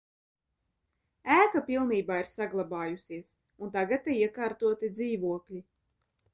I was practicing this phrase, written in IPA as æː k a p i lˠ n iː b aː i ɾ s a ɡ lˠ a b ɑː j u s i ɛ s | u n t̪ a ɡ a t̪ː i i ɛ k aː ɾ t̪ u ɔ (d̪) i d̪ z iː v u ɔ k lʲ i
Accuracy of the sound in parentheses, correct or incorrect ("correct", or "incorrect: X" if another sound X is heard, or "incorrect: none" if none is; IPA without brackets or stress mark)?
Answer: incorrect: t̪